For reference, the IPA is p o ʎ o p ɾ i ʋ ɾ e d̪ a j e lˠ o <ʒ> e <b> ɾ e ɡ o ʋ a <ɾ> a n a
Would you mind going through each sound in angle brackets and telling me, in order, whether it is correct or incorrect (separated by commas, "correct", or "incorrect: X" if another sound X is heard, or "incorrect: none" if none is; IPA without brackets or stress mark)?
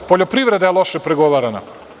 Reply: incorrect: ʃ, incorrect: p, correct